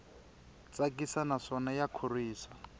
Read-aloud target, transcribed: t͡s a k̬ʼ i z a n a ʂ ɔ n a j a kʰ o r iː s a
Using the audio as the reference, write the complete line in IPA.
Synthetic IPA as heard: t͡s a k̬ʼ i s a n a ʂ ɔ n a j a kʰ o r iː s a